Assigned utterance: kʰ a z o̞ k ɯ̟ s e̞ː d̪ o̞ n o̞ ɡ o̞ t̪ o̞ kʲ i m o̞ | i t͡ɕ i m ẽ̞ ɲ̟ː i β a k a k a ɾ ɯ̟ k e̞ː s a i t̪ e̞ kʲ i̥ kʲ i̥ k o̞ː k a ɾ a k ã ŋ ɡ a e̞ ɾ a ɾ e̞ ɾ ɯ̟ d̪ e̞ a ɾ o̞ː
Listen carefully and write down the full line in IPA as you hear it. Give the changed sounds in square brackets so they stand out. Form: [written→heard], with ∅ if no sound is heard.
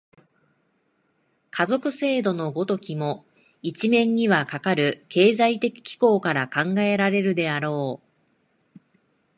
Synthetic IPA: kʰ a z o̞ k ɯ̟ s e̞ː d̪ o̞ n o̞ ɡ o̞ t̪ o̞ kʲ i m o̞ | i t͡ɕ i m ẽ̞ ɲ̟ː i β a k a k a ɾ ɯ̟ k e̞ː [s→z] a i t̪ e̞ kʲ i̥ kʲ i̥ k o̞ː k a ɾ a k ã ŋ ɡ a e̞ ɾ a ɾ e̞ ɾ ɯ̟ d̪ e̞ a ɾ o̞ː